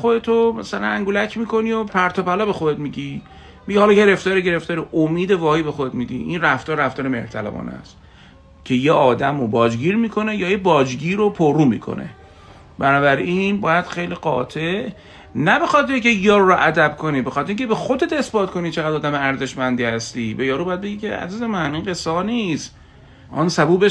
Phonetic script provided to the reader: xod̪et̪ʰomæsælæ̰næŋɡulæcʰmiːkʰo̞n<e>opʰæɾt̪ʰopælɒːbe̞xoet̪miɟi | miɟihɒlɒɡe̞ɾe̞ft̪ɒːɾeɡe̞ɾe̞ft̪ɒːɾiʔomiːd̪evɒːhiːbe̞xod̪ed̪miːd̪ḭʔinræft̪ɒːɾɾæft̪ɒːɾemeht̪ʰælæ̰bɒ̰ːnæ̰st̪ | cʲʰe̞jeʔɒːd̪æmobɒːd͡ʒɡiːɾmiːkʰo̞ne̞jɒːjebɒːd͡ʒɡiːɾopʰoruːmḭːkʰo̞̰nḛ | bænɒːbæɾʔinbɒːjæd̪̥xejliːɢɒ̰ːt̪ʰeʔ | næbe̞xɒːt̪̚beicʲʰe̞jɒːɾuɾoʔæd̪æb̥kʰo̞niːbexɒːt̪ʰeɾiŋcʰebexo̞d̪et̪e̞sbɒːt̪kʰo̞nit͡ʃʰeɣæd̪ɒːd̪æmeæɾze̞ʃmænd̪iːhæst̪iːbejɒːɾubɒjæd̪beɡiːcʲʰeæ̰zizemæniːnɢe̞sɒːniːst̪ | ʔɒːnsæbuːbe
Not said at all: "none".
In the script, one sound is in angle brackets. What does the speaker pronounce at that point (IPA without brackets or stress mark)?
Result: i